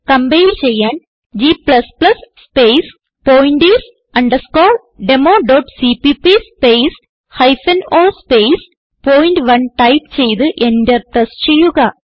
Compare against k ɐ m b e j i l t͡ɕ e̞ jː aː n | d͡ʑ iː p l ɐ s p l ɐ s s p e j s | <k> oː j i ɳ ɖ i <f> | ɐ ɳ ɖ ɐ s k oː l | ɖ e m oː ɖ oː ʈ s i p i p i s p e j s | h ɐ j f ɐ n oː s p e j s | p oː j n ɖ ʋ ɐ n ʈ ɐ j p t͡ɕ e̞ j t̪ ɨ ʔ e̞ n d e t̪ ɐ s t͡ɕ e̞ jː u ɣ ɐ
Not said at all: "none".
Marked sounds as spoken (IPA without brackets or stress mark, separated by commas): p, s